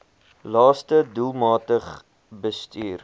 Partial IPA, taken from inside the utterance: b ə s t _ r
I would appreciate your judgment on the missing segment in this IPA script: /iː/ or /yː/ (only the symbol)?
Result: yː